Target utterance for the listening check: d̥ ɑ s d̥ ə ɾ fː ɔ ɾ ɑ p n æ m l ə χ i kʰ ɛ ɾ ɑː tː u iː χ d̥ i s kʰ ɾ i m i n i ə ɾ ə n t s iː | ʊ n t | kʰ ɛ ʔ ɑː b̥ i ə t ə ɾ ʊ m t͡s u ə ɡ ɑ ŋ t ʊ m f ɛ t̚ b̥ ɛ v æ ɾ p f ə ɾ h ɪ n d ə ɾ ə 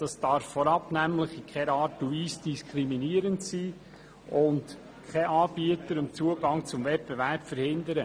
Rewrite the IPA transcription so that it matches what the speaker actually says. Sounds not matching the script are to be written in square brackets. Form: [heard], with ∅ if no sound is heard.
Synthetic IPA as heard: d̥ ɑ s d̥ [ɑ] ɾ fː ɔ ɾ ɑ p n æ m l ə χ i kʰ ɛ ɾ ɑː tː u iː [s] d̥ i s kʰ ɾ i m i n i ə ɾ ə n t s iː | ʊ n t | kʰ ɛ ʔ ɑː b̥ i ə t ə ɾ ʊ m t͡s u ə ɡ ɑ ŋ [t͡s] ʊ m [v] ɛ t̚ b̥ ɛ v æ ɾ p f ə ɾ h ɪ n d ə ɾ ə

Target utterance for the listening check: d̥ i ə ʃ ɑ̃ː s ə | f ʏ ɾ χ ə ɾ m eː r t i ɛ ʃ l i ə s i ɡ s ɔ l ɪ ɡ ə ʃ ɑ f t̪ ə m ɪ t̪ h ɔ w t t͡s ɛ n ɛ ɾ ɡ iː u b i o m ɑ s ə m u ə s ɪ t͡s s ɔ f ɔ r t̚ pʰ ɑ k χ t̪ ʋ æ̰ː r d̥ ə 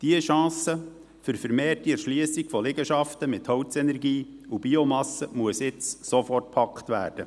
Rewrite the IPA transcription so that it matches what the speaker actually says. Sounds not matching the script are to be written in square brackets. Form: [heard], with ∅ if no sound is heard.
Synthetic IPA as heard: d̥ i ə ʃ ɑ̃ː s ə | f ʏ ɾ [f] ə ɾ m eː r t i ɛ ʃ l i ə s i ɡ [f] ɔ l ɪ ɡ ə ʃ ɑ f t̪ ə m ɪ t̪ h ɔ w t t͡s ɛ n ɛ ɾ ɡ iː u b i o m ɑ s ə m u ə s ɪ t͡s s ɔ f ɔ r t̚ pʰ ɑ k χ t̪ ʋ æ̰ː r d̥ ə

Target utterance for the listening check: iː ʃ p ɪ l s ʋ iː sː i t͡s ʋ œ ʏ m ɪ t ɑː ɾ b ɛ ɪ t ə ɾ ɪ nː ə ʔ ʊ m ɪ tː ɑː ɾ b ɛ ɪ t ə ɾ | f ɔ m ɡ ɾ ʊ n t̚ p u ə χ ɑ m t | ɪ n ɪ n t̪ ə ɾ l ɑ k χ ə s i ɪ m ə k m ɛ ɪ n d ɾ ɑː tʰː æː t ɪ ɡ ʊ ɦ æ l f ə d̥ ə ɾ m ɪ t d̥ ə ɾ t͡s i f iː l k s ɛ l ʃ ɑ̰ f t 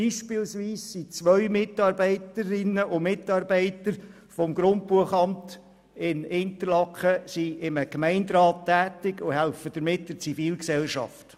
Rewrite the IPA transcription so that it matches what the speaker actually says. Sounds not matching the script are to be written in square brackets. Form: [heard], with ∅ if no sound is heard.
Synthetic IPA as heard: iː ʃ p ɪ l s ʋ iː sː i t͡s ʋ œ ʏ m ɪ t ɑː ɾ b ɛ ɪ t ə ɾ ɪ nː ə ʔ ʊ m ɪ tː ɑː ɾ b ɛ ɪ t ə ɾ | f ɔ m ɡ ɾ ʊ n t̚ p u ə χ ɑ m t | ɪ n ɪ n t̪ ə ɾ l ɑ k χ ə s i ɪ m ə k m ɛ ɪ n d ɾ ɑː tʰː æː t ɪ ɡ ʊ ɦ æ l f ə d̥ ə ɾ m ɪ t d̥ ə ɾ t͡s i f iː l k s ɛ l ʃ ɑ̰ f t

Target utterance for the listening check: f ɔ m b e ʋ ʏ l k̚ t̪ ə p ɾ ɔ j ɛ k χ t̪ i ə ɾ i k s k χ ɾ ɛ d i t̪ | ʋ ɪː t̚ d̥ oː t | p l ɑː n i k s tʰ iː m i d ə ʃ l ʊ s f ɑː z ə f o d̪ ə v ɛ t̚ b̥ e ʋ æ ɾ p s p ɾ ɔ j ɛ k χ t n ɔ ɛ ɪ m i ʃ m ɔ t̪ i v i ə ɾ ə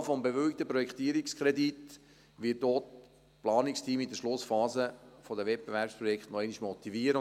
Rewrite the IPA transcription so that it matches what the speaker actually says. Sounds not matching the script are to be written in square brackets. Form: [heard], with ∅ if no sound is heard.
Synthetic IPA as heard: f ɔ m b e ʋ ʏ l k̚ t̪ ə p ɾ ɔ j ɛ k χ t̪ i ə ɾ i k s k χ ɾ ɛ d i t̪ | ʋ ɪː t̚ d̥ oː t | p l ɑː n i k s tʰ iː m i d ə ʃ l ʊ s f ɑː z ə f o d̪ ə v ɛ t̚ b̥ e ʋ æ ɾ p s p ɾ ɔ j ɛ k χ t n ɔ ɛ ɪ [n] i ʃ m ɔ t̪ i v i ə ɾ ə

